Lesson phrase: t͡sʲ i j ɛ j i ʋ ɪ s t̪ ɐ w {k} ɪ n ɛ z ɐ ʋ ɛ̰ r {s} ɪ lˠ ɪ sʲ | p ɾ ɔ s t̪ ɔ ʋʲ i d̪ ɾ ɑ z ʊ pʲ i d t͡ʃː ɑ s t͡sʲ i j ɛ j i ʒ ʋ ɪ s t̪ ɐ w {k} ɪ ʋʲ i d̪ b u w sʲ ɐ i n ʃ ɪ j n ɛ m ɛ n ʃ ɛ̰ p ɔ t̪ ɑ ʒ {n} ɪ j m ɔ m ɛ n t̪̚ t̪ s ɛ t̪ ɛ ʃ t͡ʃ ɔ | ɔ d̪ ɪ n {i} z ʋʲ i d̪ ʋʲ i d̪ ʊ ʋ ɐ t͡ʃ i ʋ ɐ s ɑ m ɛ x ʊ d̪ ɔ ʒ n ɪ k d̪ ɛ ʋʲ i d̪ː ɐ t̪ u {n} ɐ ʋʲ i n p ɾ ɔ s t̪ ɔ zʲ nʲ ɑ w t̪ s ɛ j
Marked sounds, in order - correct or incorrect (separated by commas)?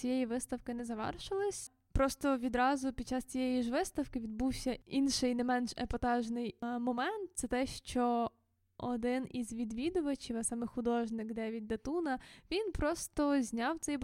correct, incorrect, correct, correct, correct, correct